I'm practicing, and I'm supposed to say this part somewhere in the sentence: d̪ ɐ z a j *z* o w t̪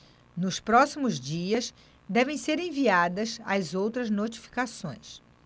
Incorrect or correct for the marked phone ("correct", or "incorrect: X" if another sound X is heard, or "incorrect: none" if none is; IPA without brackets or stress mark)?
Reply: correct